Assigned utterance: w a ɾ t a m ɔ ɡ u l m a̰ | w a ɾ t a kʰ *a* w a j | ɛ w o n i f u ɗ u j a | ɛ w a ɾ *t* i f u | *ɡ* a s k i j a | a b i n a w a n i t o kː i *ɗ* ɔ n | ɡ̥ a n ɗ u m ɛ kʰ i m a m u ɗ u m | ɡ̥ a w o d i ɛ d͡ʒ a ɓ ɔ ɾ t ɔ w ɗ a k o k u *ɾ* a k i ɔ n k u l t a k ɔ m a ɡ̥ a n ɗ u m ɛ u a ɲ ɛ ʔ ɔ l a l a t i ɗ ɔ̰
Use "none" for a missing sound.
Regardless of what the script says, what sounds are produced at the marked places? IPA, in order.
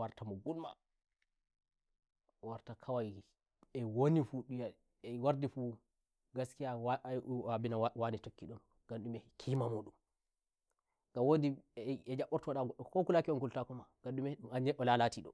a, d, ɡ, ɗ, l

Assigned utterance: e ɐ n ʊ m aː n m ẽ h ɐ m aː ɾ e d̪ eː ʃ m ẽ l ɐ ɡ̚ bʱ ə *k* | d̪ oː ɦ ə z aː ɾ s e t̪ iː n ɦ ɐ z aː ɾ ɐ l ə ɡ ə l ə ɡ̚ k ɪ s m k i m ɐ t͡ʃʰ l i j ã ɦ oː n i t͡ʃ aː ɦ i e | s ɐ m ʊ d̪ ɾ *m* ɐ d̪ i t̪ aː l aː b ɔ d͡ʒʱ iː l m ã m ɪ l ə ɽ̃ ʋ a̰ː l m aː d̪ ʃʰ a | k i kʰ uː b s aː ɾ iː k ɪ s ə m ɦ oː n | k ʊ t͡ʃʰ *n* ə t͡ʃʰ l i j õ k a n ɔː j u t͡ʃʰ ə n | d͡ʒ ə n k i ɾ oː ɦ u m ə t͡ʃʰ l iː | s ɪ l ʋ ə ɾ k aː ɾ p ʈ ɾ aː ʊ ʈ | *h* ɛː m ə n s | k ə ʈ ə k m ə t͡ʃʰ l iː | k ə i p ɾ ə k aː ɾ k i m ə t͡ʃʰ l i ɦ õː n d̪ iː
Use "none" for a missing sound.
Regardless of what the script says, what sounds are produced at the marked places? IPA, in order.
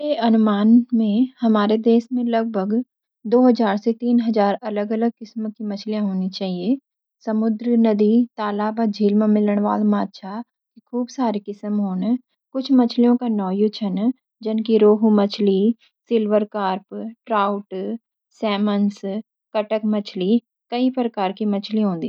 ɡ, n, m, s

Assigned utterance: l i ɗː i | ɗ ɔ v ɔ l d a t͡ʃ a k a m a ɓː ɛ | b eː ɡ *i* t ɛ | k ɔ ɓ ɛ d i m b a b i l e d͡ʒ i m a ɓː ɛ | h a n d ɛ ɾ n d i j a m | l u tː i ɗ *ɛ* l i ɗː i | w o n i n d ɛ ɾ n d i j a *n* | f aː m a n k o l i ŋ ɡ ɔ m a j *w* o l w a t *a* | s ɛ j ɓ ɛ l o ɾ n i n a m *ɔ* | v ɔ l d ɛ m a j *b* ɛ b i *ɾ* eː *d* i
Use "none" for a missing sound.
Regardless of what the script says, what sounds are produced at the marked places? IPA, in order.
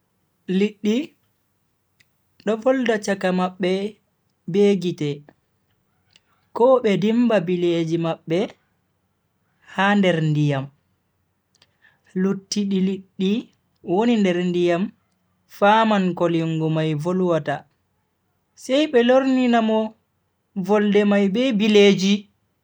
i, i, m, v, a, ɔ, b, l, d͡ʒ

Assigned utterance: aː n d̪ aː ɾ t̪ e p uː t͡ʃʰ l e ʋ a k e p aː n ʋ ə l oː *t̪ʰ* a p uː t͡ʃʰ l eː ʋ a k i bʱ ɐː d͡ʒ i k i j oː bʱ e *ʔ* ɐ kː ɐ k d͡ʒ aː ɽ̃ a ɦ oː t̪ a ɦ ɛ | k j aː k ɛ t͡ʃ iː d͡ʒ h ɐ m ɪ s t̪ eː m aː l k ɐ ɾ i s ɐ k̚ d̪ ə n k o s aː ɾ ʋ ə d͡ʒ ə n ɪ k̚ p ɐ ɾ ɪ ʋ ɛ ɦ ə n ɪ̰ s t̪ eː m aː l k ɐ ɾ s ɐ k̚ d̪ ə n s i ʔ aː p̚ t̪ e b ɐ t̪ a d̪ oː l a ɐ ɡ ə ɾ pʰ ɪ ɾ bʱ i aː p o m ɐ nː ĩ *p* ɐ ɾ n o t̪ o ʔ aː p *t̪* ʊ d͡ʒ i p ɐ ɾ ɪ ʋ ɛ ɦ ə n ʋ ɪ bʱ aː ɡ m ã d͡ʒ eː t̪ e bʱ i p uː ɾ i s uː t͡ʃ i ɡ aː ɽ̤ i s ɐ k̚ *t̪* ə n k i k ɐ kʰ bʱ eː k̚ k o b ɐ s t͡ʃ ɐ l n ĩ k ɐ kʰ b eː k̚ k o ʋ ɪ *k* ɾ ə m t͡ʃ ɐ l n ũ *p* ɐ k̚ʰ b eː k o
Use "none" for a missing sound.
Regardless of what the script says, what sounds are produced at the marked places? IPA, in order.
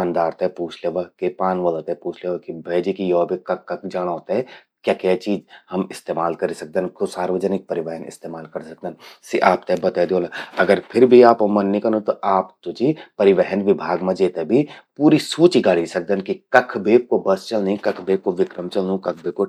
t̪, k, k, t̪, d̪, k, k

